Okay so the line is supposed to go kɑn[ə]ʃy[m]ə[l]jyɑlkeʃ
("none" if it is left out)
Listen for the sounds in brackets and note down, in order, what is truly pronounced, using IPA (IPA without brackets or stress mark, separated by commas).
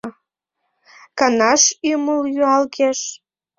ɑ, m, l